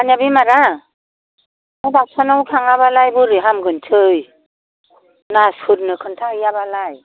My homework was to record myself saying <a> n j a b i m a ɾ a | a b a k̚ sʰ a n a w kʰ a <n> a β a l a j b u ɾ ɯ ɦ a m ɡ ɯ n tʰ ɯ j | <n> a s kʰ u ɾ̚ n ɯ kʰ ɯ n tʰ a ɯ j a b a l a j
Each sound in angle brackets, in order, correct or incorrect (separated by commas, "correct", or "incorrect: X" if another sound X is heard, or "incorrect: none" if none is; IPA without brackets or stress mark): correct, incorrect: ŋ, correct